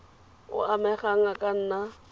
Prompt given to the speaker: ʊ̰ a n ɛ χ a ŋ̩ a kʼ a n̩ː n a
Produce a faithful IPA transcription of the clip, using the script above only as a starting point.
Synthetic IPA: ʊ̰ a m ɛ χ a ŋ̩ a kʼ a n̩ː n a